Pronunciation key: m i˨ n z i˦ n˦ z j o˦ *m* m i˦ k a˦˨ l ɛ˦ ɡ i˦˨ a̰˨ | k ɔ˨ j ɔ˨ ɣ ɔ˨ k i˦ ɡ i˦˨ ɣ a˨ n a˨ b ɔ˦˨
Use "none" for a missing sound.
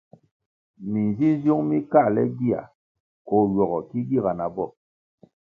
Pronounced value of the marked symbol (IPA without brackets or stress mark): ŋ